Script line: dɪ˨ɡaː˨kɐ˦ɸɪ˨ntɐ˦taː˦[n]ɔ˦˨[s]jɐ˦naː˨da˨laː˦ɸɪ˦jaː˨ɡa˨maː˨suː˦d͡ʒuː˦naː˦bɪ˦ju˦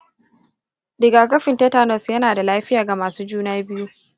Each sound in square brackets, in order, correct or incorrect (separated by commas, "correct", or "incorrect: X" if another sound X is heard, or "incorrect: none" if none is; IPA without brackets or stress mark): correct, correct